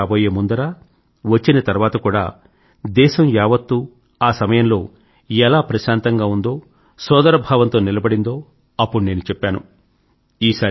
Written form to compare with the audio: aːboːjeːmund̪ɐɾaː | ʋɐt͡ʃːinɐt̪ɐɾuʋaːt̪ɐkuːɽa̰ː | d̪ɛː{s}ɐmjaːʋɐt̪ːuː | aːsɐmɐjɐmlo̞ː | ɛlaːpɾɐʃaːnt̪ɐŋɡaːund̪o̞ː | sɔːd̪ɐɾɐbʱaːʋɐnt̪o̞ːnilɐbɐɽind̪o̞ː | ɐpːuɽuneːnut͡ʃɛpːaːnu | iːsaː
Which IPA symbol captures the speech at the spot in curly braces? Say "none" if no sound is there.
ʃ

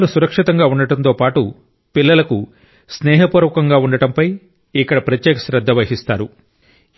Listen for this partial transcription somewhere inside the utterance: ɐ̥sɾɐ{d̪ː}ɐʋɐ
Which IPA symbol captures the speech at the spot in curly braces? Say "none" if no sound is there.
d̪ː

